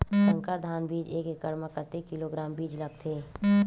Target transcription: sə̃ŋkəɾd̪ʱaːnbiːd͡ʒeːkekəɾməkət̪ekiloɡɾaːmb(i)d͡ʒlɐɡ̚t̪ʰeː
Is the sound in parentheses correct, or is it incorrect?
incorrect